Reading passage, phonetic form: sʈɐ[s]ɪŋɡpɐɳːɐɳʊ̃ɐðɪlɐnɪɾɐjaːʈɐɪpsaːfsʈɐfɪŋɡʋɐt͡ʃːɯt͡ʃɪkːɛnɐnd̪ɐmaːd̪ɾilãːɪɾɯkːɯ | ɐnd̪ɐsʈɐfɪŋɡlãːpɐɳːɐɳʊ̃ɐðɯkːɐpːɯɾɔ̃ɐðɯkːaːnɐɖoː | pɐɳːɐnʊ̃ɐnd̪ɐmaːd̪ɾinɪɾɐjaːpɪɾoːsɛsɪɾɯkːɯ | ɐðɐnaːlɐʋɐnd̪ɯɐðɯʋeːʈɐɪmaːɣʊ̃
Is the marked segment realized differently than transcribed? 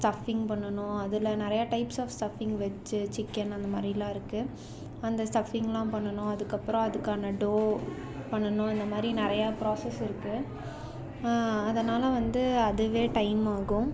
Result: yes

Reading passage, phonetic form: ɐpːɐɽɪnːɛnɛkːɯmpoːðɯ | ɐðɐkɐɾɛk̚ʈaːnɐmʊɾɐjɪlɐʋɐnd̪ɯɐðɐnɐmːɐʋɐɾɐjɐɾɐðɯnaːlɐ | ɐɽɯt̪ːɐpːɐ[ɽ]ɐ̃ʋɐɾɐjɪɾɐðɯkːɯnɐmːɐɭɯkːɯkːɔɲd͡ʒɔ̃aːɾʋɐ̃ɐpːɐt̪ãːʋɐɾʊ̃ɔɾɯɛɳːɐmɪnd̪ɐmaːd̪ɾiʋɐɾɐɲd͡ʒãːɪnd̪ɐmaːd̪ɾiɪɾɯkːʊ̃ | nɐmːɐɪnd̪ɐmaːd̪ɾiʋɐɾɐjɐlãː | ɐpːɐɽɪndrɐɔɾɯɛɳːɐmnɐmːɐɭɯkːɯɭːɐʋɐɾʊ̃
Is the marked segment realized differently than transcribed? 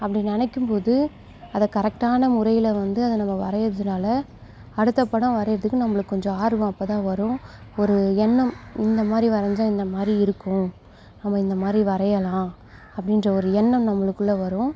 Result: no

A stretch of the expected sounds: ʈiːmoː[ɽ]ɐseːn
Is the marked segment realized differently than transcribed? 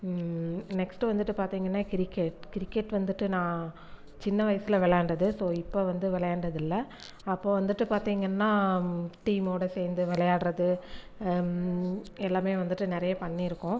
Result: no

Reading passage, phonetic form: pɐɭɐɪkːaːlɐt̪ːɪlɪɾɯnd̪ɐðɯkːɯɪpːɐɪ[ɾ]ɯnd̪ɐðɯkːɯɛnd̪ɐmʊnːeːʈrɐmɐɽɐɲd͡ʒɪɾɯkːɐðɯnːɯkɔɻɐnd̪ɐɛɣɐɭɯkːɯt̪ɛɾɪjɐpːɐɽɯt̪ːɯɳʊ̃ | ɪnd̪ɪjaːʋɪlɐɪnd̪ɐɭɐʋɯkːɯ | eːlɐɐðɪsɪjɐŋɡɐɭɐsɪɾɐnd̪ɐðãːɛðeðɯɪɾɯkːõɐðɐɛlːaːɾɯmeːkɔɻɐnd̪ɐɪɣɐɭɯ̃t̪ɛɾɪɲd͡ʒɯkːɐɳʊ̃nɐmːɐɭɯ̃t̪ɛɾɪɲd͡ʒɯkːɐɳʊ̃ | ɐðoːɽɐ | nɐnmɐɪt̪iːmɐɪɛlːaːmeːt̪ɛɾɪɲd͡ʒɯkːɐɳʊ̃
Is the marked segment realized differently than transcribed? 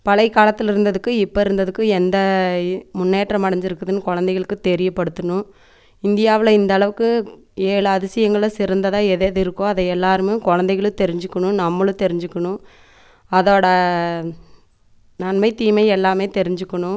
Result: no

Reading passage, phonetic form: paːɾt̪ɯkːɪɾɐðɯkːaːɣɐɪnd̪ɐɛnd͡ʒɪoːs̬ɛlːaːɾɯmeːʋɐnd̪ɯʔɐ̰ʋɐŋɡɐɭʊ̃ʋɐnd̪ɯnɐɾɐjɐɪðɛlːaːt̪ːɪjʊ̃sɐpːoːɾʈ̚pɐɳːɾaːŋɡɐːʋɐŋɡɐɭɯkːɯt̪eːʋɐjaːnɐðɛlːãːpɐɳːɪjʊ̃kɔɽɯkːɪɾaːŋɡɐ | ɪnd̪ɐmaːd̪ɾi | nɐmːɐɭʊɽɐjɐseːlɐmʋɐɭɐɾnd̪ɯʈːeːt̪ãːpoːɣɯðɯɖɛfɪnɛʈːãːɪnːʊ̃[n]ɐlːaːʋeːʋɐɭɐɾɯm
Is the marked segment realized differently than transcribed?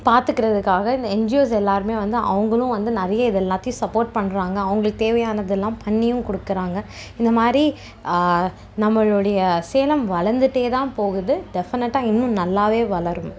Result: no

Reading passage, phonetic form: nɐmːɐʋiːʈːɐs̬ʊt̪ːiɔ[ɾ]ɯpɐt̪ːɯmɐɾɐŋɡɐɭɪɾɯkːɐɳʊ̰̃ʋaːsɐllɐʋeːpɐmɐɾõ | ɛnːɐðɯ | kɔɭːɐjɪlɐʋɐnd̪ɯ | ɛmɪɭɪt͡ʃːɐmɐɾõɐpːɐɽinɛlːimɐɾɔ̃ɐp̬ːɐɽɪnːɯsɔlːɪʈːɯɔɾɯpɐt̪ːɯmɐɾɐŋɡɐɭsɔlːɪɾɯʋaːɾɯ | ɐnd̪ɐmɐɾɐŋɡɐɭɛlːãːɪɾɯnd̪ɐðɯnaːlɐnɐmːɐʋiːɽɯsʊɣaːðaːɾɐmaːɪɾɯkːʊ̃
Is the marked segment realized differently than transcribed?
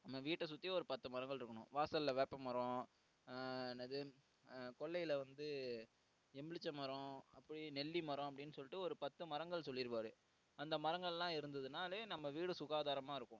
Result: no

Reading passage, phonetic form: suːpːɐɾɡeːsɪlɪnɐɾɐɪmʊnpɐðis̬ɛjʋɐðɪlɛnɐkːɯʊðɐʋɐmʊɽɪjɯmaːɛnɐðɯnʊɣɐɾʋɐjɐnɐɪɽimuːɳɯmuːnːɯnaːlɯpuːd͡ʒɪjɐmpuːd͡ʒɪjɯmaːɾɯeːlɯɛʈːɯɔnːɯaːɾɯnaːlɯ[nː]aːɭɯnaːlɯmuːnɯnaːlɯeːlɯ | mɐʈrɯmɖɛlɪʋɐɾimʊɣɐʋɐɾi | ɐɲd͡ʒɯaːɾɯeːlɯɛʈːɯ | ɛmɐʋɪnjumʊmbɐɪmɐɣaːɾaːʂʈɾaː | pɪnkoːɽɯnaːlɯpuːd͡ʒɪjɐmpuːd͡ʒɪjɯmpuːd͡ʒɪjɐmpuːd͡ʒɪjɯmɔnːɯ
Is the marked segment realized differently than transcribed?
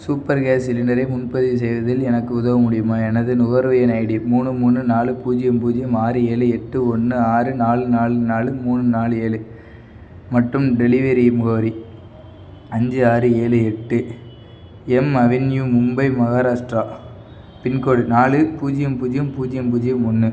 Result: yes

